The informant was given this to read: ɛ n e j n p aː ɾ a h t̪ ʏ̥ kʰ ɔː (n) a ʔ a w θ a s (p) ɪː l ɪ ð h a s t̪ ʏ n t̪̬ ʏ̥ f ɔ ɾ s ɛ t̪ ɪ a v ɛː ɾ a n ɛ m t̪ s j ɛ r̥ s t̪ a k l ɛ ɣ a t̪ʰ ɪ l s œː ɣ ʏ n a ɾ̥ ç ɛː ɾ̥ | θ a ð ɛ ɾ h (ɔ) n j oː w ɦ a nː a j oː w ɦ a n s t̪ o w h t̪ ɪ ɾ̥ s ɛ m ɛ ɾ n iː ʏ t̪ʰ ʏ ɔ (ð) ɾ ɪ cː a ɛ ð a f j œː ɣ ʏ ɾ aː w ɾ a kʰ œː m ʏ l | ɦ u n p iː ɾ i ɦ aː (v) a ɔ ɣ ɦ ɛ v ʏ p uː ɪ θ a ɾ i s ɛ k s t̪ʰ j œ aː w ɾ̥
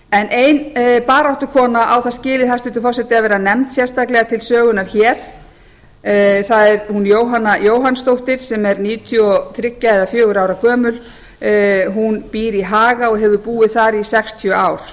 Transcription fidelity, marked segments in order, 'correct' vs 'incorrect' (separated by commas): correct, incorrect, incorrect, incorrect, incorrect